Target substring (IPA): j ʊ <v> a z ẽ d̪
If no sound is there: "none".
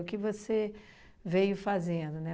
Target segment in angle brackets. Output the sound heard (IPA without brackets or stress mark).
f